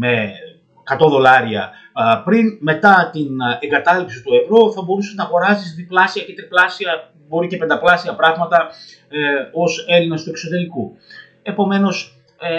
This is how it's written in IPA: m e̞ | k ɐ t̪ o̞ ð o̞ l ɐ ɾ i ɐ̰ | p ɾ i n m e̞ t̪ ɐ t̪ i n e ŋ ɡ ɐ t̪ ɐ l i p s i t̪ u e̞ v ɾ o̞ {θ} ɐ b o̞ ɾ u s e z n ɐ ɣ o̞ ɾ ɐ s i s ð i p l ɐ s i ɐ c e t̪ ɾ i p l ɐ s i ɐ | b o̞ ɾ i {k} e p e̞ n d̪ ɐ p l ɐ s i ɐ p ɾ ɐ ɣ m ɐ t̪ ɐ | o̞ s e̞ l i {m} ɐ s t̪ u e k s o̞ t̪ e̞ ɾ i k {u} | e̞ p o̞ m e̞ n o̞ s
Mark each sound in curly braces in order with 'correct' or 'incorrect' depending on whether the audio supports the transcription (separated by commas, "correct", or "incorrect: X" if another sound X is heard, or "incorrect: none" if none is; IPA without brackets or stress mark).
correct, incorrect: c, incorrect: n, correct